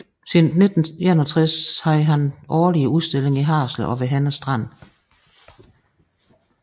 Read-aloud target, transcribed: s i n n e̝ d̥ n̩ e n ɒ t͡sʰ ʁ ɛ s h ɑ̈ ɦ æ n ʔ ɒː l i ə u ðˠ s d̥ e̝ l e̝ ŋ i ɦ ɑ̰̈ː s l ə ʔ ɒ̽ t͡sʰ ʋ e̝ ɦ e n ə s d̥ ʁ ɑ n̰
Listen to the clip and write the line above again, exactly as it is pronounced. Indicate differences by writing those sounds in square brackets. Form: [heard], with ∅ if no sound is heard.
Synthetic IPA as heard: s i n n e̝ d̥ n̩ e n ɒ t͡sʰ ʁ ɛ s h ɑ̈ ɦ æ n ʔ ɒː l i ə u ðˠ s d̥ e̝ l e̝ ŋ i ɦ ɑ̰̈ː s l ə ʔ ɒ̽ [∅] ʋ e̝ ɦ [æ] n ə s d̥ ʁ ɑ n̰

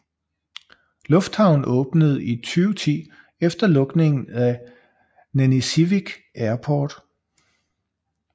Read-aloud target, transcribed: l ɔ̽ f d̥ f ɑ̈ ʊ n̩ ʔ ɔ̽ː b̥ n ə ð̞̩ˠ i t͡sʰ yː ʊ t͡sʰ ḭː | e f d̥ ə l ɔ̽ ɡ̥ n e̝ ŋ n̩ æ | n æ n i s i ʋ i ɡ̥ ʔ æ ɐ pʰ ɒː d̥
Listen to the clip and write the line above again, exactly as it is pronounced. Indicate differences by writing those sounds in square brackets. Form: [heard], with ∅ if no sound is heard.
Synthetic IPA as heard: l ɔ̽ f d̥ [h] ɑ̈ ʊ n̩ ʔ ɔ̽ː b̥ n ə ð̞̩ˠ i t͡sʰ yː ʊ t͡sʰ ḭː | e f d̥ [ɐ] l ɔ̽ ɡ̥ n e̝ ŋ n̩ æ | n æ n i s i ʋ i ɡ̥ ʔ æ ɐ pʰ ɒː d̥

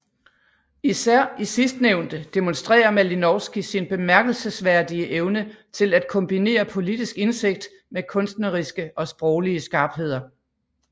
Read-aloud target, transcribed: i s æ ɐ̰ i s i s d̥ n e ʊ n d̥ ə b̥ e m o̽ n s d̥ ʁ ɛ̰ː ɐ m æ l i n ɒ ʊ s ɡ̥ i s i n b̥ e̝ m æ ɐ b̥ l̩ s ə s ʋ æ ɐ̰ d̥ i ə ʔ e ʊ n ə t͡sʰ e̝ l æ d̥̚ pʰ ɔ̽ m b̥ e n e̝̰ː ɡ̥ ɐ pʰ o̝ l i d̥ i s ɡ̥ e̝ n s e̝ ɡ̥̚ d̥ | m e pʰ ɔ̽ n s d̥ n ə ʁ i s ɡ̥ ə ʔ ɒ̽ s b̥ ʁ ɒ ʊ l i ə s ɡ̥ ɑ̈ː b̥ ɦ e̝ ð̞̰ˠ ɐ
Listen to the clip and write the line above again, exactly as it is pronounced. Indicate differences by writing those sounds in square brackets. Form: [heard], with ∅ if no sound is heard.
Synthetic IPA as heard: i s æ ɐ̰ i s i s d̥ n e ʊ n d̥ ə [d̥] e m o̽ n s d̥ ʁ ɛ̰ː ɐ m æ l i n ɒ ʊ s ɡ̥ i s i n b̥ e̝ m æ ɐ [ɡ̥] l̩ s ə s ʋ æ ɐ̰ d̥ i ə ʔ e ʊ n ə t͡sʰ e̝ l æ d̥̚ [kʰ] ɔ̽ m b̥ [i] n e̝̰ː [∅] ɐ pʰ o̝ l i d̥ i s ɡ̥ e̝ n s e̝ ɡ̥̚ d̥ | m e [kʰ] ɔ̽ n s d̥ n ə ʁ i s ɡ̥ ə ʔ ɒ̽ s b̥ ʁ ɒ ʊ l i ə s ɡ̥ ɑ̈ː b̥ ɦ e̝ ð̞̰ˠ ɐ

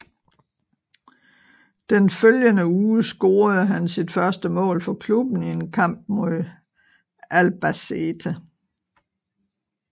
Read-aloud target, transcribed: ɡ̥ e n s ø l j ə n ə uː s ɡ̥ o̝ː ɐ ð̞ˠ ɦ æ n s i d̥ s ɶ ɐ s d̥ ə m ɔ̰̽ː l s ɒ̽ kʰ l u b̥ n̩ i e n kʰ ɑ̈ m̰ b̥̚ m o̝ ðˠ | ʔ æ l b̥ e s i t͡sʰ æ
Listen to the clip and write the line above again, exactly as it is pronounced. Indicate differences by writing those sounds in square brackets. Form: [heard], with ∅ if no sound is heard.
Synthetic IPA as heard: [d̥] e n [f] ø l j ə n ə uː s ɡ̥ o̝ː ɐ ð̞ˠ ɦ æ n s i d̥ [f] ɶ ɐ s d̥ ə m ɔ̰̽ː l [f] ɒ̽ kʰ l u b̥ n̩ i e n kʰ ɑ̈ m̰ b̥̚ m o̝ ðˠ | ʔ æ l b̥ [æ] s [e] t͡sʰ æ

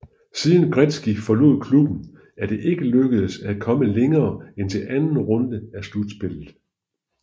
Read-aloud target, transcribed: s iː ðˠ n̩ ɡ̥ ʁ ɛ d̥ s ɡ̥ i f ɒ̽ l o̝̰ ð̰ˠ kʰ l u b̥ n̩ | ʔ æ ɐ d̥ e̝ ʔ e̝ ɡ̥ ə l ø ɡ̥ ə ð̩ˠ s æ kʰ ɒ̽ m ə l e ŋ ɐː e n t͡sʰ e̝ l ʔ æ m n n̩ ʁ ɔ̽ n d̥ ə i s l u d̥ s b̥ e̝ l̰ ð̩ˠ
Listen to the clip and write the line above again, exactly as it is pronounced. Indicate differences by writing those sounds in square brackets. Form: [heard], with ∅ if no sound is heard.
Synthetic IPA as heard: s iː ðˠ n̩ ɡ̥ ʁ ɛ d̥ s ɡ̥ i f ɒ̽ l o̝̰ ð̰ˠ kʰ l u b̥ n̩ | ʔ æ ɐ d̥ e̝ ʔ e̝ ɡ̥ ə l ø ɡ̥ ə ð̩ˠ s æ kʰ ɒ̽ m ə l e ŋ ɐː e n t͡sʰ e̝ l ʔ æ [∅] n n̩ ʁ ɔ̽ n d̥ ə [æ] s l u d̥ s b̥ e̝ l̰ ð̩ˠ

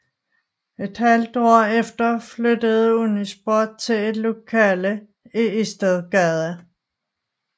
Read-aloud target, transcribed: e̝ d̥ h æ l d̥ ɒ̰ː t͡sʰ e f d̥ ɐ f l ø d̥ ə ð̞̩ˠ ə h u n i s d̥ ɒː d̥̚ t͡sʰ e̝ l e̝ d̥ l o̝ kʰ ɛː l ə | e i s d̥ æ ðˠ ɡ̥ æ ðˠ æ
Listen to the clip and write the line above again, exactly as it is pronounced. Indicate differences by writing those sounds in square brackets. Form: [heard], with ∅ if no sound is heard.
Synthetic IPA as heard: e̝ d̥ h æ l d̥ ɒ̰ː [∅] e f d̥ ɐ f l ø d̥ ə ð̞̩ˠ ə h u n i s [b̥] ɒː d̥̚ t͡sʰ e̝ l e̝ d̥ l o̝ kʰ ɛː l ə | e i s d̥ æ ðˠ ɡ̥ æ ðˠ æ

